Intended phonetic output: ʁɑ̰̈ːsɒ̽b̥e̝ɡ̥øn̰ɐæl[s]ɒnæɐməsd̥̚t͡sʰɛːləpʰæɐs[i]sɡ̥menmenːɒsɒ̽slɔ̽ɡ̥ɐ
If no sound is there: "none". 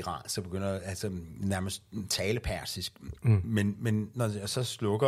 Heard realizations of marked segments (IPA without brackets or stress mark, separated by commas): s, i